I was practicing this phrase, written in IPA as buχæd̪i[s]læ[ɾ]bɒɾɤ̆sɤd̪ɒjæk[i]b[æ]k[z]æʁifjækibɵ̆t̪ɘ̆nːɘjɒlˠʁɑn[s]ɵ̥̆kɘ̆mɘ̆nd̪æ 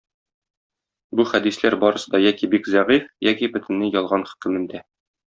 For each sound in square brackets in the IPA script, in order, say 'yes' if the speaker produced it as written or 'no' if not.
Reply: yes, yes, yes, no, yes, no

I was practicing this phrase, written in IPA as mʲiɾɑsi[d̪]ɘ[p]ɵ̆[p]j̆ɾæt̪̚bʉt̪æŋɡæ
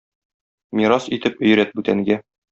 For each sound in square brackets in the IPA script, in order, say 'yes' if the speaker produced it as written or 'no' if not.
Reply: no, yes, no

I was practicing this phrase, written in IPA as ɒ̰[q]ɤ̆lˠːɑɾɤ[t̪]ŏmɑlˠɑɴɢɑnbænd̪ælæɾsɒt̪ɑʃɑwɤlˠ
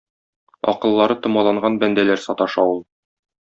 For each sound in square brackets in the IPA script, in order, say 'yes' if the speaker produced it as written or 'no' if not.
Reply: yes, yes

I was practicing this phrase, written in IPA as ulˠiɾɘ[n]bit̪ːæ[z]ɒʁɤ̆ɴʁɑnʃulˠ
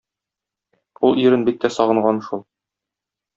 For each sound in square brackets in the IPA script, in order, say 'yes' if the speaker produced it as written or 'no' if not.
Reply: yes, no

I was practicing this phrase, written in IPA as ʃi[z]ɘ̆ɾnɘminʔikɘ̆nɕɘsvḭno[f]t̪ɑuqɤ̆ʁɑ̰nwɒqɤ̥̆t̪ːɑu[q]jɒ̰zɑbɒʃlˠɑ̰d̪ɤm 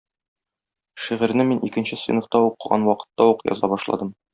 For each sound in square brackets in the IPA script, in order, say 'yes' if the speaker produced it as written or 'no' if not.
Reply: no, yes, yes

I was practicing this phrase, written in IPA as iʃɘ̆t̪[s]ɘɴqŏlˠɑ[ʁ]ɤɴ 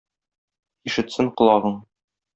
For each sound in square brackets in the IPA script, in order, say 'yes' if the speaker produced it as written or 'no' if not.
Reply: yes, yes

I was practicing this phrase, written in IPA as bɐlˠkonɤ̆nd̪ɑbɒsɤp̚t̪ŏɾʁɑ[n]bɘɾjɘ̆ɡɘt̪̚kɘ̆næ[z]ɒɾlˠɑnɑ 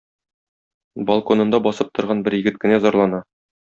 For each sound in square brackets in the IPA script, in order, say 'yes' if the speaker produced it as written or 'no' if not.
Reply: yes, yes

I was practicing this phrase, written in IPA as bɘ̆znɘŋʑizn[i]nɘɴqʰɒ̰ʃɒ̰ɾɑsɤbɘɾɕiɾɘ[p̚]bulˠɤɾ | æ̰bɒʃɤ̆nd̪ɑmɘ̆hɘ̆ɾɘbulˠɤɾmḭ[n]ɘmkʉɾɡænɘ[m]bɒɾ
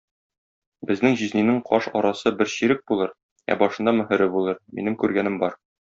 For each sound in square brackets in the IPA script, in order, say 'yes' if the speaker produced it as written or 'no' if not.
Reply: yes, no, yes, yes

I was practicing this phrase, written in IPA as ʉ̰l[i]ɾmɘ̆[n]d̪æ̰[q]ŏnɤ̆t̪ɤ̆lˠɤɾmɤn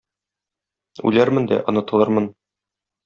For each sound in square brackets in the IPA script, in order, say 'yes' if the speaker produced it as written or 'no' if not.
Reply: no, yes, no

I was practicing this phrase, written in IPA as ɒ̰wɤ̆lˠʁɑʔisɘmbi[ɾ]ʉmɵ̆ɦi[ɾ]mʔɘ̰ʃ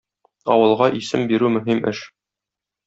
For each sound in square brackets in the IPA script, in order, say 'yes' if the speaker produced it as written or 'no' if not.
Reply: yes, no

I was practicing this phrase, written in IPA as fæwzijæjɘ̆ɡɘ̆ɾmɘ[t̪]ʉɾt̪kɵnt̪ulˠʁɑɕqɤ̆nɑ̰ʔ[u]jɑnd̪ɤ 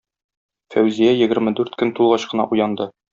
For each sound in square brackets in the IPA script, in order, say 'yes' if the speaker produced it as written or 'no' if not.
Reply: no, yes

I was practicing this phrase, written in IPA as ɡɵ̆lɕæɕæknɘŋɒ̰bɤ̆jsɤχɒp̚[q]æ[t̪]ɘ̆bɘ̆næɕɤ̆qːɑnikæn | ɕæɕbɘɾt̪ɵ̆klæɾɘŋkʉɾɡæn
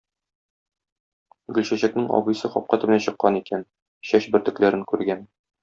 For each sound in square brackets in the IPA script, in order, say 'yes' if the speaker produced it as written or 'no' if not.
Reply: yes, yes

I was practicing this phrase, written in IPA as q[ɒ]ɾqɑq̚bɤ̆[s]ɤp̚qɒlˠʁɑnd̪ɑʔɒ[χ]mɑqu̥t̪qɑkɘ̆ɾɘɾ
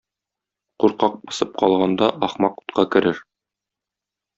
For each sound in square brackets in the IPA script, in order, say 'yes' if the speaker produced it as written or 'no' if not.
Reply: no, yes, yes

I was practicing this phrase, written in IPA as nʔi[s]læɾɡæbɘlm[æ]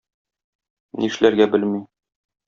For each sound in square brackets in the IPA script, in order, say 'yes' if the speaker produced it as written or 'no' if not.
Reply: no, no

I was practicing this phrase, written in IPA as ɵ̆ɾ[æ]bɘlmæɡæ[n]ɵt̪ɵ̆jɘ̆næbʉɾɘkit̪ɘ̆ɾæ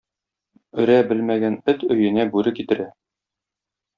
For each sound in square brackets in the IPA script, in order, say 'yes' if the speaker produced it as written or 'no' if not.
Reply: yes, yes

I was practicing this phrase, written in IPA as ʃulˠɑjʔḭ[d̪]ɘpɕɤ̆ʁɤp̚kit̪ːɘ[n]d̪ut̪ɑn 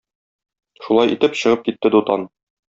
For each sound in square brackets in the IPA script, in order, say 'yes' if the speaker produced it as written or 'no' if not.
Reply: no, no

